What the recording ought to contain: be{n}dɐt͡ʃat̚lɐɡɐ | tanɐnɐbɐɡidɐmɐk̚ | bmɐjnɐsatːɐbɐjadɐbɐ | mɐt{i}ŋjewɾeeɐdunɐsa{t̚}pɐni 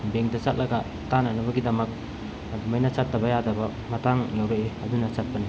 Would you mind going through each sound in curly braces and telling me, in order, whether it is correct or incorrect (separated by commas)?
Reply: incorrect, incorrect, correct